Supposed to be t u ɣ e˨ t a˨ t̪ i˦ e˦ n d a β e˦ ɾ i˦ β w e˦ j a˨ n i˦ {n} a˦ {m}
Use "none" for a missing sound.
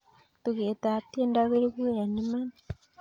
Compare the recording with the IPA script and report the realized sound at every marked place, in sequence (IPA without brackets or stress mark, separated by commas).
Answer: m, n